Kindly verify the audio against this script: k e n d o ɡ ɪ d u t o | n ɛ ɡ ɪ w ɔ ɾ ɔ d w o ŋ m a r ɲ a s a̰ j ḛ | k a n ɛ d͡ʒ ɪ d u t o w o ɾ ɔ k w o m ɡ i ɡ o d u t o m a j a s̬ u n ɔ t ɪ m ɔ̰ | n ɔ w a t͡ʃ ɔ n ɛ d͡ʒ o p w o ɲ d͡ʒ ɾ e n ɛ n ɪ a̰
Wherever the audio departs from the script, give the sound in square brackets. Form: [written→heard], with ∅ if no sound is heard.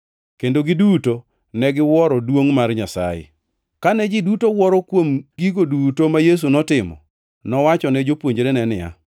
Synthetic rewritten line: k e n d o ɡ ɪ d u t o | n ɛ ɡ ɪ w ɔ ɾ ɔ d w o ŋ m a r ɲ a s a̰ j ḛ | k a n ɛ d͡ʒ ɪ d u t o w [o→ɔ] ɾ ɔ k w o m ɡ i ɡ o d u t o m a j [a→e] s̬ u n ɔ t ɪ m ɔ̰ | n ɔ w a t͡ʃ ɔ n ɛ d͡ʒ o p w o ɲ d͡ʒ ɾ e n ɛ n ɪ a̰